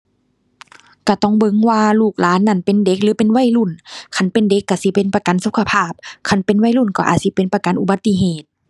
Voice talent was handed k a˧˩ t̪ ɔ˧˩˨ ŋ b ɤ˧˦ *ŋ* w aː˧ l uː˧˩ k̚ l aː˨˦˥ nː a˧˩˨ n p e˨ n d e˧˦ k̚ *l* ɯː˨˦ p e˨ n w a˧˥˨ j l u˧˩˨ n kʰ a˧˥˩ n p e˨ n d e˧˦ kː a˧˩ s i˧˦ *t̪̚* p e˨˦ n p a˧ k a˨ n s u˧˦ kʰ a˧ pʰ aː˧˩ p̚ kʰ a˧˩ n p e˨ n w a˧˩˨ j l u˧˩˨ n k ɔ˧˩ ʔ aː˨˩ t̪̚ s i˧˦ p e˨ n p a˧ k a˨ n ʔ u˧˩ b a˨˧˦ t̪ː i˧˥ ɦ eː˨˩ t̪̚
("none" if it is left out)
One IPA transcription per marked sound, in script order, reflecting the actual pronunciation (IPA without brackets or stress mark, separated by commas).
ŋ, l, none